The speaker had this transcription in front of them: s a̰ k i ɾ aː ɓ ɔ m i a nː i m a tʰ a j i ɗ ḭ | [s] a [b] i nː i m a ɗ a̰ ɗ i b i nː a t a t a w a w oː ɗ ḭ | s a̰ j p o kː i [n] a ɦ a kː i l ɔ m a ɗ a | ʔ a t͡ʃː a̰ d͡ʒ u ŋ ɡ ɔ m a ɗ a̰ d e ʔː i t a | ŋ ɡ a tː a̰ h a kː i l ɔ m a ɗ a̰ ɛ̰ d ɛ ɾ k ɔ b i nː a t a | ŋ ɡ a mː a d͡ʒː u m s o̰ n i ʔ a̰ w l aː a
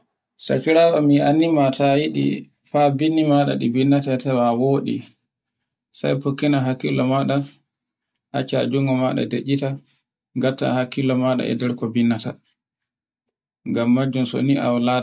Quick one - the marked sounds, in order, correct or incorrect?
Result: incorrect: f, correct, correct

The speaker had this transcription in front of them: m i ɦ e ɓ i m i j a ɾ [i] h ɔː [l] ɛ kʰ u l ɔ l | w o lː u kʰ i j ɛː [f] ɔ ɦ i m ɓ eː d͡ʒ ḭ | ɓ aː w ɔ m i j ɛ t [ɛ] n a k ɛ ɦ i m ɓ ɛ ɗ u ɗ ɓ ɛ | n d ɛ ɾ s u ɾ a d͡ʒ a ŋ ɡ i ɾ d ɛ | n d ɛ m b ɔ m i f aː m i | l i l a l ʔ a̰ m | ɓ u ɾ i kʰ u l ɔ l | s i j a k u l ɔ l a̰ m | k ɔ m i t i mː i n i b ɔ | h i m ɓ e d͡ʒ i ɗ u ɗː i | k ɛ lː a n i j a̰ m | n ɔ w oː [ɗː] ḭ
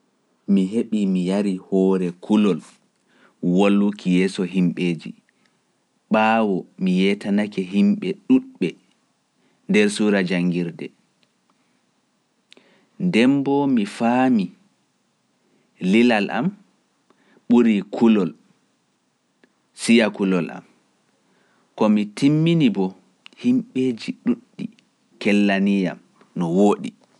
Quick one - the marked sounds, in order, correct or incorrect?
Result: correct, incorrect: ɾ, incorrect: s, incorrect: a, incorrect: ɗ

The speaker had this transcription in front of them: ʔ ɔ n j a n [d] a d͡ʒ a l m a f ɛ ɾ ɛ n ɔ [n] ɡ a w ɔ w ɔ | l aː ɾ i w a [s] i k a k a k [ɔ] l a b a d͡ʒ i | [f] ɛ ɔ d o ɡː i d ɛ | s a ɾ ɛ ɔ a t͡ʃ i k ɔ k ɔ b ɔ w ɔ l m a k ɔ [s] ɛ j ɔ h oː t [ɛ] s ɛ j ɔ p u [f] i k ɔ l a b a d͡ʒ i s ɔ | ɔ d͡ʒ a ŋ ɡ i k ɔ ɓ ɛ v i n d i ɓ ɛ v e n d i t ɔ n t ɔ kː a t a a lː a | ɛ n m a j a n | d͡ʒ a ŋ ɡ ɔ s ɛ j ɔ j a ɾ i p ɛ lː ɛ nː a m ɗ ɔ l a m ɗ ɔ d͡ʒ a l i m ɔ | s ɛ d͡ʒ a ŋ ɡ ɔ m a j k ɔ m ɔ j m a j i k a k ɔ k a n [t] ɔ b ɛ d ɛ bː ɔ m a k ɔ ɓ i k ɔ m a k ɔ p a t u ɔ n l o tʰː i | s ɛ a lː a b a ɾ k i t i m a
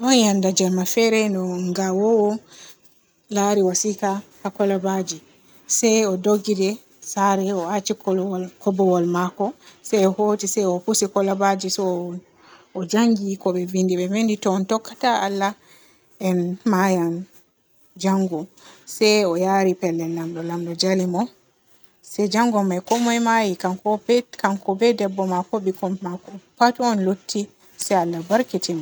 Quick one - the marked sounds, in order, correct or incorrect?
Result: correct, incorrect: ŋ, correct, correct, incorrect: s, correct, incorrect: i, incorrect: s, incorrect: k

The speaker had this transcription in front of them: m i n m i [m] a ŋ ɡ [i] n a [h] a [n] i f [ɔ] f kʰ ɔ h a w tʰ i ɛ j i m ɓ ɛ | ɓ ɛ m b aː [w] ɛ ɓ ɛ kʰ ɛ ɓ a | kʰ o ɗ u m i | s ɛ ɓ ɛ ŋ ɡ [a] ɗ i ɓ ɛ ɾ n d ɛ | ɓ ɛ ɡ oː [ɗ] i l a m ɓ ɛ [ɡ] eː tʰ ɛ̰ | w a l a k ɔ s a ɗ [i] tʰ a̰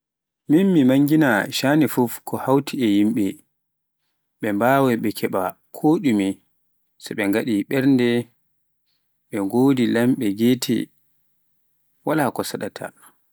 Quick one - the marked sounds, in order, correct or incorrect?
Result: correct, correct, incorrect: ʃ, correct, incorrect: u, correct, correct, incorrect: d, correct, incorrect: a

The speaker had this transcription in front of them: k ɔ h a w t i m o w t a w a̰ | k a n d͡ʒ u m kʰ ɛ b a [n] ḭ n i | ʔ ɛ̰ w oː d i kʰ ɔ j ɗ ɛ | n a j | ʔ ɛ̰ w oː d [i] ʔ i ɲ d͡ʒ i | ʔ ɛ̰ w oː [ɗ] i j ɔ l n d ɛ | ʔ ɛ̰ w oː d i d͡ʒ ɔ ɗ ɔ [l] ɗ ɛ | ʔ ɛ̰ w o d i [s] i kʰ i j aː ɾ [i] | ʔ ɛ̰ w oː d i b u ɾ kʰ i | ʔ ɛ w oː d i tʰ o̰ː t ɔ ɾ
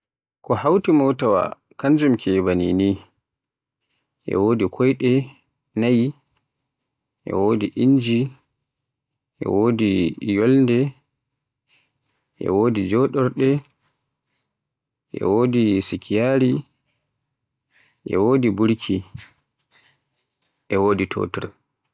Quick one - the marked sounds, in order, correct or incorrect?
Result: correct, correct, incorrect: d, incorrect: ɾ, correct, correct

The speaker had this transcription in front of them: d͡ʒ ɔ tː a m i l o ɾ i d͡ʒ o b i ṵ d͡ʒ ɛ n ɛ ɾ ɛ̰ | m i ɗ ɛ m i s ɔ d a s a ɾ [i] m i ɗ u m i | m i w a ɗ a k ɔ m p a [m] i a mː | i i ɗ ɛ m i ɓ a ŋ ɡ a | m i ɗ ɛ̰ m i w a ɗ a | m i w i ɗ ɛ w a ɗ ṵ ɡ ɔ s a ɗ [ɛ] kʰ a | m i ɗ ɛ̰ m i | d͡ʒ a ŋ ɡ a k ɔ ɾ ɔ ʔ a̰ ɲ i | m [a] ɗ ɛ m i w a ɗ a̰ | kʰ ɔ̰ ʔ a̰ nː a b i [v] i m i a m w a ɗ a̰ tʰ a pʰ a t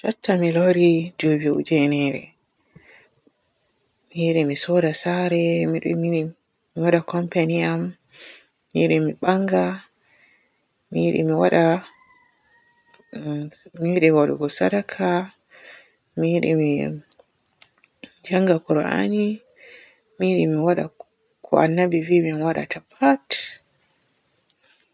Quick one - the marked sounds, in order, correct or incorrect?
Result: incorrect: ɛ, incorrect: n, incorrect: a, incorrect: i, correct

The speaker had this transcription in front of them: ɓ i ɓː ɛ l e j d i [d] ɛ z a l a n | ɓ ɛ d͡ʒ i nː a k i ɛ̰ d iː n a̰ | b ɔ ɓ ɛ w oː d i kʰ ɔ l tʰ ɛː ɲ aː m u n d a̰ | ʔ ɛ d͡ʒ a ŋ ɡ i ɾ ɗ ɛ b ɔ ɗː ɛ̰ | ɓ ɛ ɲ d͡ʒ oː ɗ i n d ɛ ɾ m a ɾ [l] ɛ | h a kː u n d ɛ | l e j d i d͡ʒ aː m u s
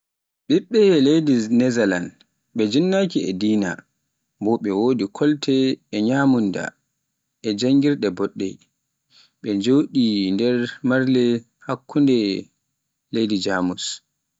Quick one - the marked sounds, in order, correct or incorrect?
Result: incorrect: n, correct

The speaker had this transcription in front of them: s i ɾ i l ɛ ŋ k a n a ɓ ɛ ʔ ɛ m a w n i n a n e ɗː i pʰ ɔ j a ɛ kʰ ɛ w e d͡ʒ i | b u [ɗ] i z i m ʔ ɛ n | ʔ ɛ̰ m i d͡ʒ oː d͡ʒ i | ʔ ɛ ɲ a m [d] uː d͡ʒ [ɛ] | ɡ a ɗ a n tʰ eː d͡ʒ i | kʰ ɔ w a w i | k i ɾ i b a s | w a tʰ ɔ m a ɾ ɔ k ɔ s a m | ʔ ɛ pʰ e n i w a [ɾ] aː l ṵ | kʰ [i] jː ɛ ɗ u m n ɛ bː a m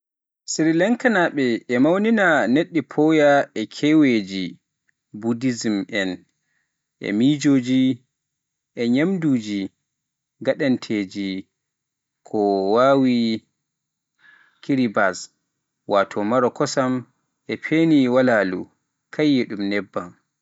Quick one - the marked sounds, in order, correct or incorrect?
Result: incorrect: d, correct, incorrect: i, incorrect: l, incorrect: a

